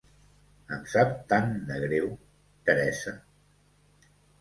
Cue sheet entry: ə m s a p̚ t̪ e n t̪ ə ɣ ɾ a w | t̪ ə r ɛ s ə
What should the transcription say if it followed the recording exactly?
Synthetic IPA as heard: ə m s a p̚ t̪ a n d̪ ə ɣ ɾ e w | t̪ ə ɾ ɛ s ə